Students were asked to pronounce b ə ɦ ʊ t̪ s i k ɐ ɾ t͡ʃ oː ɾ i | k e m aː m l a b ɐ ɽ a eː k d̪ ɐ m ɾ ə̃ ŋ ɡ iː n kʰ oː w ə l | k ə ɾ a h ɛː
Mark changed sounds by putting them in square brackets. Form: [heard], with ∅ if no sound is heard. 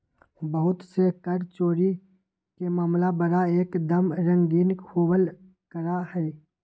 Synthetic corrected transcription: b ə ɦ ʊ t̪ s [e] k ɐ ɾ t͡ʃ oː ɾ i | k e m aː m l a b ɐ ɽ a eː k d̪ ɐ m ɾ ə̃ ŋ ɡ iː n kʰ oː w ə l | k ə ɾ a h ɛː